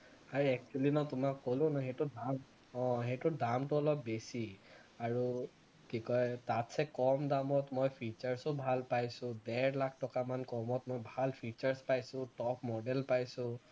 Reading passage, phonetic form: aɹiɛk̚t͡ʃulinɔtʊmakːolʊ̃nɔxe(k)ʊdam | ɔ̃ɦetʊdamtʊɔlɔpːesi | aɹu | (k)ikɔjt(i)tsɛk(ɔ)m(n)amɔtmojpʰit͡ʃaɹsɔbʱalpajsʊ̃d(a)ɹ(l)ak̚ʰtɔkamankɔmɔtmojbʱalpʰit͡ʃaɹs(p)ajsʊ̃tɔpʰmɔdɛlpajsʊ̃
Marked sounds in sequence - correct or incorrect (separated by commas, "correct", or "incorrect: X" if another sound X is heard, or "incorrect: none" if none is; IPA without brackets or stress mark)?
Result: incorrect: t, correct, incorrect: a, correct, incorrect: d, incorrect: ɛ, correct, correct